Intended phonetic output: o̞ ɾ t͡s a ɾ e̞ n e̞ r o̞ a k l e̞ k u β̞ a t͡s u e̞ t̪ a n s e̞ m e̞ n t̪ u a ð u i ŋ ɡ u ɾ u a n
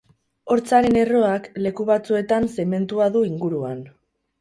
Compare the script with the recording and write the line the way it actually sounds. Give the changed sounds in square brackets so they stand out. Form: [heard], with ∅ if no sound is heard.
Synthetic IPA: o̞ ɾ t͡s a ɾ e̞ n e̞ r o̞ a k l e̞ k u β̞ a t͡s u e̞ t̪ a n s e̞ m e̞ n t̪ u a ð u i ŋ ɡ u ɾ u a n